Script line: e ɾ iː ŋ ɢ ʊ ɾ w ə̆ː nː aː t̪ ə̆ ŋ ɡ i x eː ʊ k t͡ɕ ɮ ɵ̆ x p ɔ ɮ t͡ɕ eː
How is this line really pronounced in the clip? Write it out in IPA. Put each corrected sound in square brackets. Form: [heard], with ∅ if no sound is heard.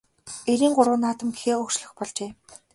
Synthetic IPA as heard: e ɾ iː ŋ ɢ ʊ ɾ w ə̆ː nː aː t̪ ə̆ [m] ɡ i x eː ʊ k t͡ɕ ɮ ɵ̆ x p ɔ ɮ t͡ɕ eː